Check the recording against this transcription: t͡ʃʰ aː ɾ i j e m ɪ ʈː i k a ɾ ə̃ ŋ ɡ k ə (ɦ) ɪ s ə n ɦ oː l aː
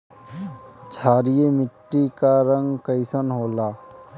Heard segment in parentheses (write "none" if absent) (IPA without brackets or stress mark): none